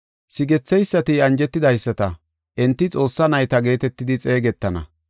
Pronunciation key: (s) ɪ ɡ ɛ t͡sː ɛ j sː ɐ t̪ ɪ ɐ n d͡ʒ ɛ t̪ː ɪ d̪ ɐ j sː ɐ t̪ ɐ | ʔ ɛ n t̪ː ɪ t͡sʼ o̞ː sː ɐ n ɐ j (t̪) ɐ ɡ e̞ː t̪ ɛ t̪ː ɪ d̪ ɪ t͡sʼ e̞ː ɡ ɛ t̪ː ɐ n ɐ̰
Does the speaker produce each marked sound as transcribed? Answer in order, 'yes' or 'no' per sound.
yes, yes

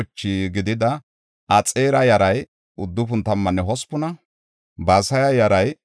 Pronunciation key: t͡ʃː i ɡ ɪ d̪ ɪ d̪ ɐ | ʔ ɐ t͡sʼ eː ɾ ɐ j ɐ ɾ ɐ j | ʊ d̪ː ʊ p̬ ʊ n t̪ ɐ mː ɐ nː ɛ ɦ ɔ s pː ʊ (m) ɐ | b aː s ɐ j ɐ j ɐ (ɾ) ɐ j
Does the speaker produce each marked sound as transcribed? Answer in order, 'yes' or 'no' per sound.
no, yes

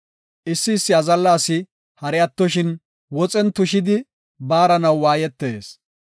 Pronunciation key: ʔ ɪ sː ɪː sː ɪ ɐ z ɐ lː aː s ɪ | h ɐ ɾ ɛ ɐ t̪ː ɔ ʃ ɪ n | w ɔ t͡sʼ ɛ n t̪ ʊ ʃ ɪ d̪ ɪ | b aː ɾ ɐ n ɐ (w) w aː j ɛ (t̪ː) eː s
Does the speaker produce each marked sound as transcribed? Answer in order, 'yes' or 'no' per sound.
yes, yes

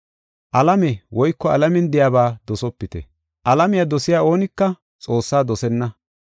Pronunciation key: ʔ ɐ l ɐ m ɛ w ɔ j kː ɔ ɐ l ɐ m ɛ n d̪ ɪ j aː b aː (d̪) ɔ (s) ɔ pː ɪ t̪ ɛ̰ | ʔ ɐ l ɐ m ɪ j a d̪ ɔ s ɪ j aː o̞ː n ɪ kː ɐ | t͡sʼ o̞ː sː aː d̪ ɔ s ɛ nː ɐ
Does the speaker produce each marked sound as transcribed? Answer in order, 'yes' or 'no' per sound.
yes, yes

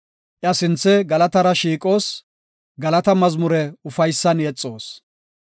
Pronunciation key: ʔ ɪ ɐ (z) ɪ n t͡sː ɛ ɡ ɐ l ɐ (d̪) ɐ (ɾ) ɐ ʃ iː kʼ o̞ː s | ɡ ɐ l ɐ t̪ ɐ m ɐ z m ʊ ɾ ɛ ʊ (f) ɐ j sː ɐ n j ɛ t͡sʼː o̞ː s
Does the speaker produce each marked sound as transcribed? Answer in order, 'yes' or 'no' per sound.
no, no, yes, yes

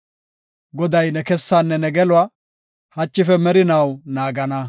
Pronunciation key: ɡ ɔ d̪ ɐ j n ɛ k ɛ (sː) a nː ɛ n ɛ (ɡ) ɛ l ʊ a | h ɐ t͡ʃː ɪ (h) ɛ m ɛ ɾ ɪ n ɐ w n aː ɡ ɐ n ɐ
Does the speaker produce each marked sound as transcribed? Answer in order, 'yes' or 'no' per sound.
yes, yes, no

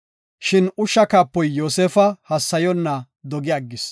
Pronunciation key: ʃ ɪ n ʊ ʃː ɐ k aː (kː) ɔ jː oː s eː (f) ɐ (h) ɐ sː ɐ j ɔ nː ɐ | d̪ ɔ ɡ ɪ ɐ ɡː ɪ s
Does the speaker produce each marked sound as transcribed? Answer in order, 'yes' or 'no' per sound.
no, yes, yes

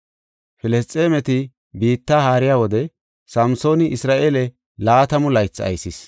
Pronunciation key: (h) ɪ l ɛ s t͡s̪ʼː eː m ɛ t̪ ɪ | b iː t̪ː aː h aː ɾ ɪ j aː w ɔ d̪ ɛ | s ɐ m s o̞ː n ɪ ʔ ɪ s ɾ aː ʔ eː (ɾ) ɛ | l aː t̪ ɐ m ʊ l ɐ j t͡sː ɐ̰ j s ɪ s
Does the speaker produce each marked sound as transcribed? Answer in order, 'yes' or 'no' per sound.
no, no

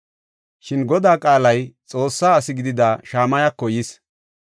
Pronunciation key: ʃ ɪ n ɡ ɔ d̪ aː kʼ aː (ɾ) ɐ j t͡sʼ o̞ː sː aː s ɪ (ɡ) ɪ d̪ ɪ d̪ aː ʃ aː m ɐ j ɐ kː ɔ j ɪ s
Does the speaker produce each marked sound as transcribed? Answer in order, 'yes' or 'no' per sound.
no, yes

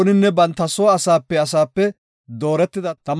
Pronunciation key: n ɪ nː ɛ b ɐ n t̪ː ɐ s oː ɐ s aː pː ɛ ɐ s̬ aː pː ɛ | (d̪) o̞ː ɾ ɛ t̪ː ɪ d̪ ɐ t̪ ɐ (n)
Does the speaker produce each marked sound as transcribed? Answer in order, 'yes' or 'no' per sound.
yes, no

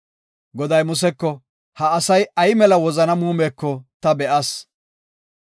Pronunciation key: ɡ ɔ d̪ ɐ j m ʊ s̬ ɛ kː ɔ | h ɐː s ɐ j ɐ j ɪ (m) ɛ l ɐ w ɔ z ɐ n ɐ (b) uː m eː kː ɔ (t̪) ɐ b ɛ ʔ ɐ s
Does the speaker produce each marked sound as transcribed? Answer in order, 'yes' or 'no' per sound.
yes, no, yes

